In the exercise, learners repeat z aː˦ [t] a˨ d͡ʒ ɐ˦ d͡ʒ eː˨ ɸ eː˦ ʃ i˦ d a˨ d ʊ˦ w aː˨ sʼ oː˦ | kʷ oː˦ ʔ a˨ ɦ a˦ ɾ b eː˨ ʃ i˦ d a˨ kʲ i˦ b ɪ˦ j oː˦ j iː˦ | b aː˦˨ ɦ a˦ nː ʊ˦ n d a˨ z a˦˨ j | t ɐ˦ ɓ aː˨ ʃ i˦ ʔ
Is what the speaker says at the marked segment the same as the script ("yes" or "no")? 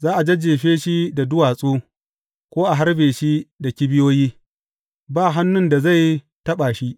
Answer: no